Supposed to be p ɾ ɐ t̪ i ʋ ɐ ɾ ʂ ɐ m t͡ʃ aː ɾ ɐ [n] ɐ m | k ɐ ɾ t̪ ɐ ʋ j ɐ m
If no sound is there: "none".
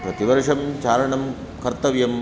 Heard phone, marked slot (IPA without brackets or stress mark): ɳ